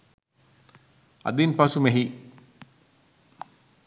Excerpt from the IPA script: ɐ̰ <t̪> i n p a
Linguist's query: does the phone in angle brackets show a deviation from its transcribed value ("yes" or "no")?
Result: yes